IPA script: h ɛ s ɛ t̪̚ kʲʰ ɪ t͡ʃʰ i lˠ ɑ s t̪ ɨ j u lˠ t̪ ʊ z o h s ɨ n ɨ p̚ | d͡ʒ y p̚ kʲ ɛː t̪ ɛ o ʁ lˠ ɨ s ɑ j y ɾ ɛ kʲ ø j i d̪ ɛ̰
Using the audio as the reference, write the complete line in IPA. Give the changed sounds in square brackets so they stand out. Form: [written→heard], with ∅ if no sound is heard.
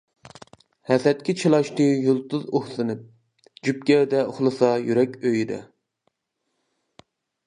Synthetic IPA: h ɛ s ɛ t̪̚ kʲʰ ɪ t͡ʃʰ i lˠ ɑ [s→ʃ] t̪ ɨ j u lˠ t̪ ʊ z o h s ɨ n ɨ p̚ | d͡ʒ y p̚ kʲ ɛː [t̪→d̪] ɛ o [ʁ→χ] lˠ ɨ s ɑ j y ɾ ɛ kʲ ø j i d̪ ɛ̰